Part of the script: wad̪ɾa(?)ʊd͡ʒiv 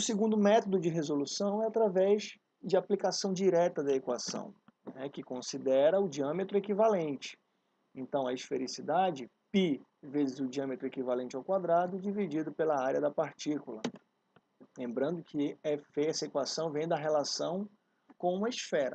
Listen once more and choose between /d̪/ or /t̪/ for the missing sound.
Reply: d̪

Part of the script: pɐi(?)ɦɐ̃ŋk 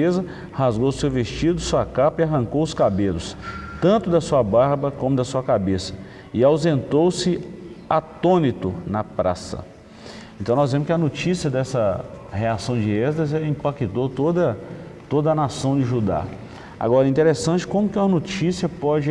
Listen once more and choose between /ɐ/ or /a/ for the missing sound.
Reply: a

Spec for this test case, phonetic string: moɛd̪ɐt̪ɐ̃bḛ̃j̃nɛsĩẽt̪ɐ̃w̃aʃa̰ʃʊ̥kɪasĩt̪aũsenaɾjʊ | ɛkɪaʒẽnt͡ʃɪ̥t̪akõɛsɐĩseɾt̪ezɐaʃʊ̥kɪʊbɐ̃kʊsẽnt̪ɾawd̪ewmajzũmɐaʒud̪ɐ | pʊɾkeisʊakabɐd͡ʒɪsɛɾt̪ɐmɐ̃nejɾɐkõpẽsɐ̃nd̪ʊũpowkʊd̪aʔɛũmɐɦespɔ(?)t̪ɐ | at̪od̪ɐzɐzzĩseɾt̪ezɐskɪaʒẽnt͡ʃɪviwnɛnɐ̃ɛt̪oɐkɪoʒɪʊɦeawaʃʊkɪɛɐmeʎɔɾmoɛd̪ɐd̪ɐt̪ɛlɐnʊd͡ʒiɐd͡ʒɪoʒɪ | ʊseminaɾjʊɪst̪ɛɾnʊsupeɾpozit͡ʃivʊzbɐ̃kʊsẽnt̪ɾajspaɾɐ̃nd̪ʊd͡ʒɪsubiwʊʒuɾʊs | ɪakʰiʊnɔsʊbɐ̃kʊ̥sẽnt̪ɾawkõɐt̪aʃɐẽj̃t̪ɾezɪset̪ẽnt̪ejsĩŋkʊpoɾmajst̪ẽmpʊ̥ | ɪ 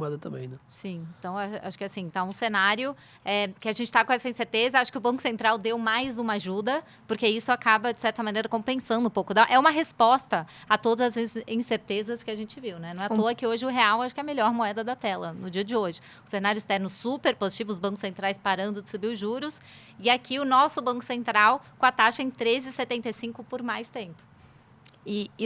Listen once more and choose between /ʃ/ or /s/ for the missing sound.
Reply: s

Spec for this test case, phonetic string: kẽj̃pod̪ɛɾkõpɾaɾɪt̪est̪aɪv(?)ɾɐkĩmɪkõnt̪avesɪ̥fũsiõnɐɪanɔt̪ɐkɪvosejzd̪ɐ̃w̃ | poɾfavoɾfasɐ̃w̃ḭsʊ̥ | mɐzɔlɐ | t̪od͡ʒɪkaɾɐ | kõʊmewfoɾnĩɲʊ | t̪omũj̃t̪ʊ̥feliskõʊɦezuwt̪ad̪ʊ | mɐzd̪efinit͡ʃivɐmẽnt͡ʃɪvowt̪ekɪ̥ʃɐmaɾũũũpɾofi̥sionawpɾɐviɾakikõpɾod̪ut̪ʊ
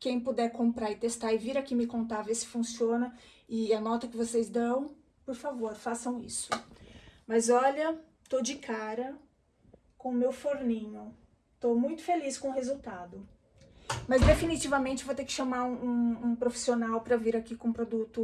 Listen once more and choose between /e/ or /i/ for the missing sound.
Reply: i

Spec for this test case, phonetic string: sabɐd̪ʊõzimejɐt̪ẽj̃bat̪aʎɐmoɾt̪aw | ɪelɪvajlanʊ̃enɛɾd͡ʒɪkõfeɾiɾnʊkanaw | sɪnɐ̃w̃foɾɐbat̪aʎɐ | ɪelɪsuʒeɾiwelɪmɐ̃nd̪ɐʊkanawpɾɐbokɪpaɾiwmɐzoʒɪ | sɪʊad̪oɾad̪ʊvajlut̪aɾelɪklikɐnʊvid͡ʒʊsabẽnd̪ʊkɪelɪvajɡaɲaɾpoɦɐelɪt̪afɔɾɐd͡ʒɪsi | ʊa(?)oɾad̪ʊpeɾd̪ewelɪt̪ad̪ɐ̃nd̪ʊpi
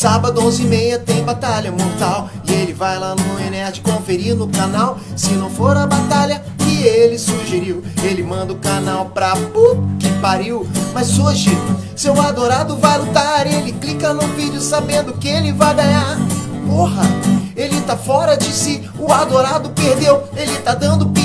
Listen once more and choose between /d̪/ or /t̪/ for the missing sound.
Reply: d̪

